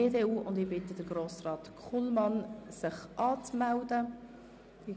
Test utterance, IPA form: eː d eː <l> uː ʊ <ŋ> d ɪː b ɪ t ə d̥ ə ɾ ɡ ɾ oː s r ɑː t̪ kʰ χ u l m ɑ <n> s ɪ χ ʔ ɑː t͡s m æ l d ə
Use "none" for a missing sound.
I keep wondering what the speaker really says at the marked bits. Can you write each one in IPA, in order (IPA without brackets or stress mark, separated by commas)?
none, n, n